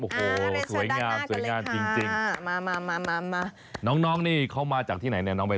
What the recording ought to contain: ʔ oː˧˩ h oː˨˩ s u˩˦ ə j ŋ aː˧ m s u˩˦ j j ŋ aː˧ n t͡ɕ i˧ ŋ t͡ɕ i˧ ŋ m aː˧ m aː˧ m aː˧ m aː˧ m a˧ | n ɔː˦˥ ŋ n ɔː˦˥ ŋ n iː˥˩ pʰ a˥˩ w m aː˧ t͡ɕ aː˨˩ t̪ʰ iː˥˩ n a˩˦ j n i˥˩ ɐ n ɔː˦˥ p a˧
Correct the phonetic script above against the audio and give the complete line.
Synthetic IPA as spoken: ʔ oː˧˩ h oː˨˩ s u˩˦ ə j ŋ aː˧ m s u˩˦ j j ŋ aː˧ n t͡ɕ i˧ ŋ t͡ɕ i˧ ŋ m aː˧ m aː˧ m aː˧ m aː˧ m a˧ | n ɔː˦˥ ŋ n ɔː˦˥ ŋ n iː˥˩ kʰ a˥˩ w m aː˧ t͡ɕ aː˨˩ t̪ʰ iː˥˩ n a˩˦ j n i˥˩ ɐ n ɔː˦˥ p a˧